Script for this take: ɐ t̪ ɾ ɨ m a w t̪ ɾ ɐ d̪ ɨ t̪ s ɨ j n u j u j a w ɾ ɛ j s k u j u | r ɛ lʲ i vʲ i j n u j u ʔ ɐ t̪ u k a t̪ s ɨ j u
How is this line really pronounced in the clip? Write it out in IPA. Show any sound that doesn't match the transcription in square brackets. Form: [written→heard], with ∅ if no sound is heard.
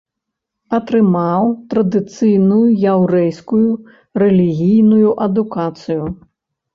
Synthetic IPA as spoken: ɐ t̪ ɾ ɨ m a w t̪ ɾ ɐ d̪ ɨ t̪ s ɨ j n u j u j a w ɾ ɛ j s k u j u | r ɛ lʲ i [vʲ→ɣʲ] i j n u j u ʔ ɐ [t̪→d̪] u k a t̪ s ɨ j u